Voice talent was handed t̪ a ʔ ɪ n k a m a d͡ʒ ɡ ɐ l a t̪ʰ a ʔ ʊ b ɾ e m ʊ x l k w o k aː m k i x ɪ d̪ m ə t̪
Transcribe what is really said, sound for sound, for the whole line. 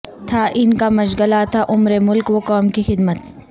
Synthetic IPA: t̪ʰ a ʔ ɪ n k a m ɐ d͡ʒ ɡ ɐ l a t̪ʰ a ʔ ʊ m ɾ e m ʊ l k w o k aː m k i x ɪ d̪ m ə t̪